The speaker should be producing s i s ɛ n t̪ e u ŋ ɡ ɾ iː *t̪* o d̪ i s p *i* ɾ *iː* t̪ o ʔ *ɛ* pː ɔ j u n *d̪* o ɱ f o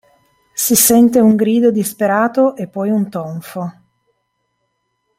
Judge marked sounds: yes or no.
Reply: no, no, no, no, no

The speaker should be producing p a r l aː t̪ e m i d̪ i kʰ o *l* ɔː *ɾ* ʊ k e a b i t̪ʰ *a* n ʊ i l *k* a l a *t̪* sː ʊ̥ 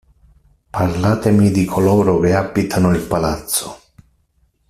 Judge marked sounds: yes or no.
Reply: yes, yes, yes, no, yes

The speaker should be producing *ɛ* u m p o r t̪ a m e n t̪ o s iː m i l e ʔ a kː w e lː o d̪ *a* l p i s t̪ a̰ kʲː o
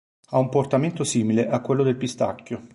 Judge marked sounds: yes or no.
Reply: no, no

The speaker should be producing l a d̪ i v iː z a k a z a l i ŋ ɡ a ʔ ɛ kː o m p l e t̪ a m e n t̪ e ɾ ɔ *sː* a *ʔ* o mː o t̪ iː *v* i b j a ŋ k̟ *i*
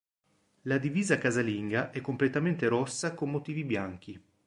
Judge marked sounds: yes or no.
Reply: yes, no, yes, yes

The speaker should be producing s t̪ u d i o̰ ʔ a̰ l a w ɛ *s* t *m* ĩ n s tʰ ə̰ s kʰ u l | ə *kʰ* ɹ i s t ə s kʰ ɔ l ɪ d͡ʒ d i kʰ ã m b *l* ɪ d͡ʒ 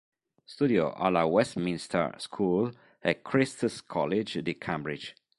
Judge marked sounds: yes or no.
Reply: yes, yes, yes, no

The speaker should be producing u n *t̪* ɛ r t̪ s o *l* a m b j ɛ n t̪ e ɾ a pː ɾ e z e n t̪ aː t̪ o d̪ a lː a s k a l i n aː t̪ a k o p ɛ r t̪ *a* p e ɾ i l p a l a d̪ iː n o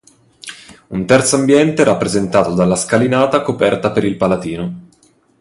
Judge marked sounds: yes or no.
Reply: yes, no, yes

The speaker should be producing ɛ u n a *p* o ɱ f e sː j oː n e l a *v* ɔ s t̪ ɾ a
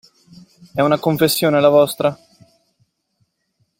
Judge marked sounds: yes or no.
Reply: no, yes

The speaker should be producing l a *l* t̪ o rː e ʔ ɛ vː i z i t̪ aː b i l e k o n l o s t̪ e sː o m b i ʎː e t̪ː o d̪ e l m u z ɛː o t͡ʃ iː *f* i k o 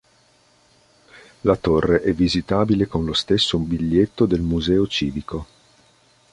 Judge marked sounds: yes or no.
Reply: no, no

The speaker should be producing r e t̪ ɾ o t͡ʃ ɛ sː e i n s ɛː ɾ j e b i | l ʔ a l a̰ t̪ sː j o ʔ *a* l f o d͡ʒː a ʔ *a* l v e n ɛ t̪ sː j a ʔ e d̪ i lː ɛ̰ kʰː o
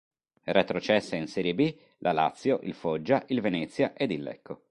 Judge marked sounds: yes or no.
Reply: no, no

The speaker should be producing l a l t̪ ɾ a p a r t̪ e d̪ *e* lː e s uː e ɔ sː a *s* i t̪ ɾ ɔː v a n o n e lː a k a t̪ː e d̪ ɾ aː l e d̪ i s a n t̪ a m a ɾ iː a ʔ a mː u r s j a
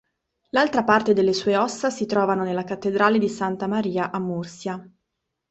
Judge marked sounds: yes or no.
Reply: yes, yes

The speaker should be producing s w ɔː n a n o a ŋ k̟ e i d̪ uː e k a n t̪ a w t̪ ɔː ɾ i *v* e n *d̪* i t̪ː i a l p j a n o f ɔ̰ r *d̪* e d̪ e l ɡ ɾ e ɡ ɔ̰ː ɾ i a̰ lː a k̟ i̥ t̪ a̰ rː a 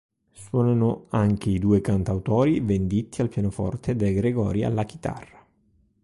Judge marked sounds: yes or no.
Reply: yes, yes, no

